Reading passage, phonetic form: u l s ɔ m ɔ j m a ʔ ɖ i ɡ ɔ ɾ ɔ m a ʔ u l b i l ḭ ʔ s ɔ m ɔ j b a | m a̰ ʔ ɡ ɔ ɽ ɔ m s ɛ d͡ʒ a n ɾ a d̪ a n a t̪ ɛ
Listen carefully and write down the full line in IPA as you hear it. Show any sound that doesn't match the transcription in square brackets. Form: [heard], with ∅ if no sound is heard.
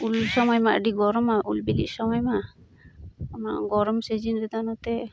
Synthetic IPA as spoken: u l s ɔ m ɔ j m a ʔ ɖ i ɡ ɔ ɾ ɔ m a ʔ u l b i l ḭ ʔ s ɔ m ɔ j [m] a | m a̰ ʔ ɡ ɔ [ɾ] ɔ m s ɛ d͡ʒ [i] n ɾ [ɛ] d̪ a n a t̪ ɛ